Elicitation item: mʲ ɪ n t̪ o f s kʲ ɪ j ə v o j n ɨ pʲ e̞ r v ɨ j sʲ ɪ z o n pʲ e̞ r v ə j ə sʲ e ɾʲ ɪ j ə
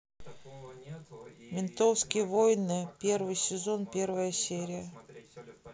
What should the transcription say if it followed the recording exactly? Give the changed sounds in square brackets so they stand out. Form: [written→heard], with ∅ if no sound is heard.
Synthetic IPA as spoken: mʲ ɪ n t̪ o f s kʲ ɪ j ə v o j n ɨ pʲ e̞ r v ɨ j sʲ ɪ z o n pʲ e̞ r v ə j ə sʲ e ɾʲ ɪ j ə